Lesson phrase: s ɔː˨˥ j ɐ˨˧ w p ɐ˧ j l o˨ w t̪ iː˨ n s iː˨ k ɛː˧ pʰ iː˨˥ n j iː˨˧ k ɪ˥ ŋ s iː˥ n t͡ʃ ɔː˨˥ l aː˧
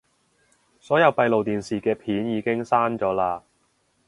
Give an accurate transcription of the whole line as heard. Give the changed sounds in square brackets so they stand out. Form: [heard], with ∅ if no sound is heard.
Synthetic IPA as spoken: s ɔː˨˥ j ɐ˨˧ w p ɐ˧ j l o˨ w t̪ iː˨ n s iː˨ k ɛː˧ pʰ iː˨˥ n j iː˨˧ k ɪ˥ ŋ s [aː˥] n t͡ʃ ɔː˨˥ l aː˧